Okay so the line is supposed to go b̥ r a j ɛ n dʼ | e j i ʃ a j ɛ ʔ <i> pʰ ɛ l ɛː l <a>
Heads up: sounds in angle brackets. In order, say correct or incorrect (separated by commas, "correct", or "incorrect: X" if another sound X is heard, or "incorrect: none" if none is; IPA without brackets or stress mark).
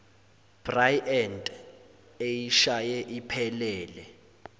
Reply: correct, incorrect: ɛ